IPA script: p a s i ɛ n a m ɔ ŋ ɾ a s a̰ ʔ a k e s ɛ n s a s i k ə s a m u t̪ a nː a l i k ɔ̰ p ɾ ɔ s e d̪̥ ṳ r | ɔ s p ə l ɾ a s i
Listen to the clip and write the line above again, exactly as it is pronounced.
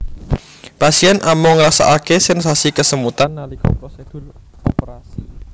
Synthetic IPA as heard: p a s i ɛ n a m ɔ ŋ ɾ a s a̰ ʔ a k e s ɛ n s a s i k ə s ə m u t̪ a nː a l i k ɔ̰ p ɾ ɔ s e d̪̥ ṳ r | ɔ p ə ɾ a s i